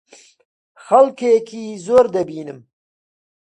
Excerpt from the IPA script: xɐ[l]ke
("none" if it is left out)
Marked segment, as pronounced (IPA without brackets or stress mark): l